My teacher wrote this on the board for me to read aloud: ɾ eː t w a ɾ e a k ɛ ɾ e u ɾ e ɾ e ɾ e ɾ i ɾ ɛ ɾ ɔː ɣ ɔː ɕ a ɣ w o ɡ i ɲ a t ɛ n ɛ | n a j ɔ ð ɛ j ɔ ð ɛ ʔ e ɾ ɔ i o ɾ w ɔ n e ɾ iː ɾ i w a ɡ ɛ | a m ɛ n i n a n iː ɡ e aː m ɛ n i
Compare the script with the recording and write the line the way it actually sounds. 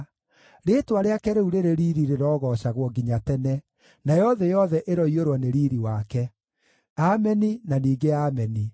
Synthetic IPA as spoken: ɾ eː t w a ɾ e a k ɛ ɾ e u ɾ e ɾ e ɾ i ɾ i ɾ e ɾ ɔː ɣ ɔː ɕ a ɣ w ɔ ɡ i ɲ a t ɛ n ɛ | n a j ɔ ð ɛ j ɔ ð ɛ ʔ e ɾ ɔ i o ɾ w ɔ n e ɾ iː ɾ i w a k ɛ | a m ɛ n i n a n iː ɡ e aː m ɛ n i

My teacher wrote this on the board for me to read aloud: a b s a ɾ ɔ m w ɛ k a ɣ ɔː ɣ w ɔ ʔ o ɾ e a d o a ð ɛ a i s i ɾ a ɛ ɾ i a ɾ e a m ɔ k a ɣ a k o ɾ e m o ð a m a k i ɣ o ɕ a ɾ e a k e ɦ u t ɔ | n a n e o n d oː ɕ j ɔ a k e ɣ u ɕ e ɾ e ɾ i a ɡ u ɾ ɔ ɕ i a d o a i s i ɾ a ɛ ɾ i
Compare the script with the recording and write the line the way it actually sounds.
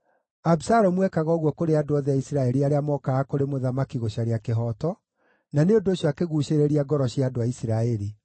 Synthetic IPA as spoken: a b s a ɾ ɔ m w ɛ k a ɣ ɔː ɣ w ɔ k o ɾ e a d o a ð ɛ a i s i ɾ a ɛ ɾ i a ɾ e a m ɔ k a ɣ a k o ɾ e m o ð a m a k i ɣ o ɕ a ɾ e a k e ɦ ɔ t ɔ | n a n e o n d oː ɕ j ɔ a k e ɣ u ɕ e ɾ e ɾ i a ɡ ɔ ɾ ɔ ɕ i a d o a i s i ɾ a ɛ ɾ i

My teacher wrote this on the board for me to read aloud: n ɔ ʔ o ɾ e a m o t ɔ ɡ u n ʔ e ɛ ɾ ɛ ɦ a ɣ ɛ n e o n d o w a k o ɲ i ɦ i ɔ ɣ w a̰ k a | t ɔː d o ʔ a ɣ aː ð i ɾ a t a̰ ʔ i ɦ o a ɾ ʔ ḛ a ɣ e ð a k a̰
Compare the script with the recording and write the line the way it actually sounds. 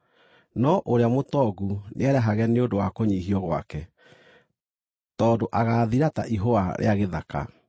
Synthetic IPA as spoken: n ɔ ʔ o ɾ e a m o t ɔ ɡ u n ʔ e ɛ ɾ ɛ ɦ a ɣ ɛ n e o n d o w a k o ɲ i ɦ i ɔ ɣ w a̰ k ɛ | t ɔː d o ʔ a ɣ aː ð i ɾ a t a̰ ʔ i ɦ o a ɾ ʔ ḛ a ɣ e ð a k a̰

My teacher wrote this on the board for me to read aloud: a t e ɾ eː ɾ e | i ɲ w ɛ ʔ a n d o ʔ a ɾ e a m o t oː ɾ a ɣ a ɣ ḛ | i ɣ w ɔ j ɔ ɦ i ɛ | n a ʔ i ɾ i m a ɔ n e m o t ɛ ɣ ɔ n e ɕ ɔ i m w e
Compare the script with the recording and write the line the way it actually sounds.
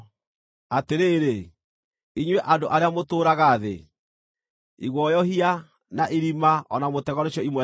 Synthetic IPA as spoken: a t e ɾ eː ɾ e | i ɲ w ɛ ʔ a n d o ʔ a ɾ e a m o t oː ɾ a ɣ a ð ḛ | i ɣ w ɔ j ɔ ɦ i a | n a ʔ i ɾ i m a ɔ n a m o t ɛ ɣ ɔ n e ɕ ɔ i m w ɛ

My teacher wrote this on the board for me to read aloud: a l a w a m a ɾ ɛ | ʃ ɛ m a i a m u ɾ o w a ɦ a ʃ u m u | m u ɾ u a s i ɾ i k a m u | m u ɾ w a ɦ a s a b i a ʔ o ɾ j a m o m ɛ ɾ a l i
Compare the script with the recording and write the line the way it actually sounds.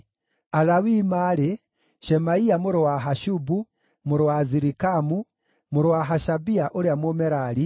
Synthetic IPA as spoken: a l a w i m a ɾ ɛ | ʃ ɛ m a i a m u ɾ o w a ɦ a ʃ u b u | m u ɾ w a z i ɾ i k a m u | m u ɾ w a ɦ a ʃ a b i a ʔ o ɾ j a m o m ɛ ɾ a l i

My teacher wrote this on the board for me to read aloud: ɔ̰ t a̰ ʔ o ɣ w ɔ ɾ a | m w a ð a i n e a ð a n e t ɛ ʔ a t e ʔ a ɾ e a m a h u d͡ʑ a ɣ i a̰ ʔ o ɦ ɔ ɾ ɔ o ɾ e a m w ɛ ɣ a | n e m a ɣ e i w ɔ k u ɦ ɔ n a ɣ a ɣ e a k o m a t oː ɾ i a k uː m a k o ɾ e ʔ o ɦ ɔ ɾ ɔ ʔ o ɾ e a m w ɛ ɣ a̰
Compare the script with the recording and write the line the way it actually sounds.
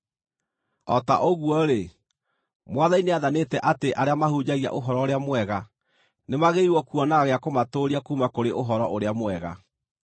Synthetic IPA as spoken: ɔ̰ t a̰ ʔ o ɣ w ɔ ɾ e | m w a ð a i n e a ð a n e t ɛ ʔ a t e ʔ a ɾ e a m a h u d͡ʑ a ɣ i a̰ ʔ o ɦ ɔ ɾ ɔ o ɾ e a m w ɛ ɣ a | n e m a ɣ e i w ɔ k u ɔ n a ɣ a ɣ e a k o m a t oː ɾ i a k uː m a k o ɾ e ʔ o ɦ ɔ ɾ ɔ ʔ o ɾ e a m w ɛ ɣ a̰

